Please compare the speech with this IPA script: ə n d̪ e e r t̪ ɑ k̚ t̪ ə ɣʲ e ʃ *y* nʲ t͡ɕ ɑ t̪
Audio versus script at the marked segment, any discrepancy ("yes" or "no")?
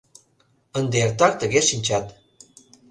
yes